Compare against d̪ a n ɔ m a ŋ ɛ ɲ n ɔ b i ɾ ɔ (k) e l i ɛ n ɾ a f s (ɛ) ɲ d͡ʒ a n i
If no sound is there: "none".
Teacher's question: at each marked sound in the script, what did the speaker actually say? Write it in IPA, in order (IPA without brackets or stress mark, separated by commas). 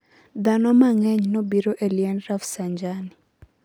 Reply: ʔ, a